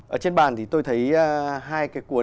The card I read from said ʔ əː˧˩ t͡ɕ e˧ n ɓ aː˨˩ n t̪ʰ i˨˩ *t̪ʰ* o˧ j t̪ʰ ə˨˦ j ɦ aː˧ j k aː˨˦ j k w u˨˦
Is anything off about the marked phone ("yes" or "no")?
yes